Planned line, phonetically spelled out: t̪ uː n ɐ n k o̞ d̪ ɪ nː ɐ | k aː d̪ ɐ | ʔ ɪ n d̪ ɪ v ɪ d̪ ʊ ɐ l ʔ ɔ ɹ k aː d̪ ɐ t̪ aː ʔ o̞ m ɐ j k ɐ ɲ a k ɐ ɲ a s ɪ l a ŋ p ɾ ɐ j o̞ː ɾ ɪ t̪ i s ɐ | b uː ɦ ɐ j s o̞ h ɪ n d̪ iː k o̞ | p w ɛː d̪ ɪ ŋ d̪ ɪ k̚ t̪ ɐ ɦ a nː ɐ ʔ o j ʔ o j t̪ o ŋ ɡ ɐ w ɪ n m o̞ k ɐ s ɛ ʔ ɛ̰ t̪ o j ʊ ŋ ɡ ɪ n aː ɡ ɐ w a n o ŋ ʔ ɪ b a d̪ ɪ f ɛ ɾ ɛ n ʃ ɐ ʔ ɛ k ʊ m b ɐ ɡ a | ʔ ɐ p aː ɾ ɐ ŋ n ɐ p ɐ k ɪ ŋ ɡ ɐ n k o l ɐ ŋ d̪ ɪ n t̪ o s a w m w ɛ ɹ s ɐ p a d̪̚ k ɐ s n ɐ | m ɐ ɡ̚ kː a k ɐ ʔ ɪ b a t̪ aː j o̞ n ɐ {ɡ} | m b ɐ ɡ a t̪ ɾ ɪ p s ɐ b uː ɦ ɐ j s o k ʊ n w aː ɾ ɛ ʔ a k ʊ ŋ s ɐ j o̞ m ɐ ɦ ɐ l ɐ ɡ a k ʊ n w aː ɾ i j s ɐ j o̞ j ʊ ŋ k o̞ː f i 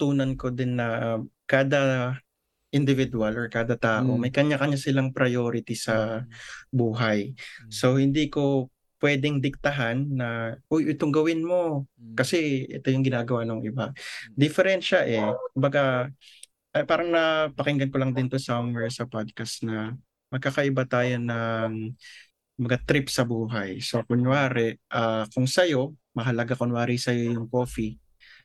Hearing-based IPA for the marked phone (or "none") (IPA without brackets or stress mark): ŋ